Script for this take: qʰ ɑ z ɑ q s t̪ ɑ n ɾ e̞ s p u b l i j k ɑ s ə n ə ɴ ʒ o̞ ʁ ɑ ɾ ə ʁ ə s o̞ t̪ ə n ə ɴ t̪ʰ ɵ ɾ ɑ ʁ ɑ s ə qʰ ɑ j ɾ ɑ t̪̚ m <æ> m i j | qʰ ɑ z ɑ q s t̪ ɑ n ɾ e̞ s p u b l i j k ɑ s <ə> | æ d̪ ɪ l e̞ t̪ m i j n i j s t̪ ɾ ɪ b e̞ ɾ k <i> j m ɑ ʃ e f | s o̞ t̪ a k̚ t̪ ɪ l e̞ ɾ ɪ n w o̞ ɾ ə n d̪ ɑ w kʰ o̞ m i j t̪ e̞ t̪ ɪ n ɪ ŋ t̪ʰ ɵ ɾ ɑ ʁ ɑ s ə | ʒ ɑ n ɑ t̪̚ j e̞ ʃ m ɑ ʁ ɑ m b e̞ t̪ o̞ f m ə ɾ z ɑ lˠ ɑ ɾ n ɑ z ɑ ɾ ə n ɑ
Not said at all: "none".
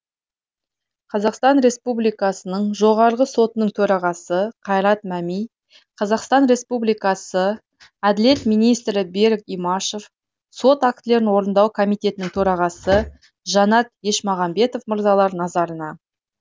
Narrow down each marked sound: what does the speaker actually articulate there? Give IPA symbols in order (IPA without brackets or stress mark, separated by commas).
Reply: æ, ə, i